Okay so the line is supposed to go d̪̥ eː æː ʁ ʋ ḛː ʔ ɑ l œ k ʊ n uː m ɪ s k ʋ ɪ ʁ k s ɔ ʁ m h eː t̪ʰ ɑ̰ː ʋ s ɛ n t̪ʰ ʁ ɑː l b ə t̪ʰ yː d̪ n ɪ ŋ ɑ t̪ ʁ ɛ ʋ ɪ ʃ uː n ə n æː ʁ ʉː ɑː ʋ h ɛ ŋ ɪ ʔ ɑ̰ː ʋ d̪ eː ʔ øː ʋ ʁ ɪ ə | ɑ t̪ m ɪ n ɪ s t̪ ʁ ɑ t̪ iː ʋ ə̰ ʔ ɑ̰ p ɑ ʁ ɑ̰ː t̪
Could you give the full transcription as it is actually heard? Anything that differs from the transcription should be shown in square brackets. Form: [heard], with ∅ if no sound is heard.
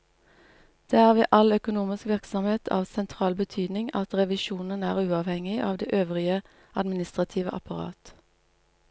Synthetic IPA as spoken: d̪̥ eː æː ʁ ʋ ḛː ʔ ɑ l œ k ʊ n uː m ɪ s k ʋ ɪ ʁ k s ɔ [∅] m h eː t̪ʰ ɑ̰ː ʋ s ɛ n t̪ʰ ʁ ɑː l b ə t̪ʰ yː d̪ n ɪ ŋ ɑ t̪ ʁ ɛ ʋ ɪ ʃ uː n ə n æː ʁ ʉː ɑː ʋ h ɛ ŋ ɪ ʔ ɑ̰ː ʋ d̪ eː ʔ øː ʋ ʁ ɪ ə | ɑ [d̪] m ɪ n ɪ s t̪ ʁ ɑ [t̪ʰ] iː ʋ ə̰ ʔ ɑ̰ p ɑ ʁ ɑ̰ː t̪